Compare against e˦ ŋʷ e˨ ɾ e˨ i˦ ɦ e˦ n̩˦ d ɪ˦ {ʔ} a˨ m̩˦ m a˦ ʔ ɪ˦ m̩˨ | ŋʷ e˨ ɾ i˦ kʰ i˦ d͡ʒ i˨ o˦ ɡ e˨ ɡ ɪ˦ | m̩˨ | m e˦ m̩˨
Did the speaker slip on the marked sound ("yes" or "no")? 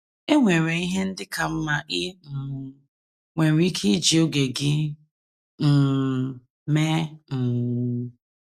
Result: yes